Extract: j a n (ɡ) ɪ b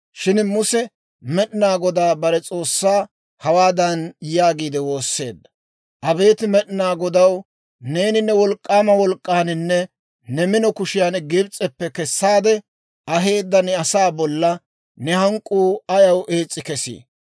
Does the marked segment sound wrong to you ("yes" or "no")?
no